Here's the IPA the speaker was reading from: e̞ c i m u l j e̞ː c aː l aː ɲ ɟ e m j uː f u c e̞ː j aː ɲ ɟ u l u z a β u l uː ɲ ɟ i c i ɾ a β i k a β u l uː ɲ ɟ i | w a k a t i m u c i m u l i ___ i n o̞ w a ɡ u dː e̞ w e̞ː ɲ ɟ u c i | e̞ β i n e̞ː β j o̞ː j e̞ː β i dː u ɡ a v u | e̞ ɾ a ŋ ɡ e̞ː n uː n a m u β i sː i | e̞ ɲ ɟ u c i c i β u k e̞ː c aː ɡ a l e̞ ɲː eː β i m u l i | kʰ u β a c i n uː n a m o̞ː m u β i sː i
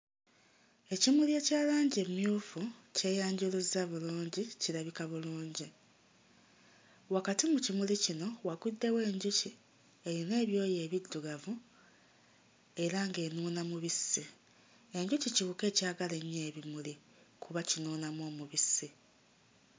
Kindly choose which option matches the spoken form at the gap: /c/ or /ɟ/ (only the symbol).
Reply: c